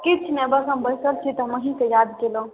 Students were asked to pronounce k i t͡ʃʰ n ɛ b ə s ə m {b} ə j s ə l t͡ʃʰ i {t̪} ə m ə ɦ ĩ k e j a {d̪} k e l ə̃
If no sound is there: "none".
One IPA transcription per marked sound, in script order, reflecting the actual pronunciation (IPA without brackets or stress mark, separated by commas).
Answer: b, t̪, d̪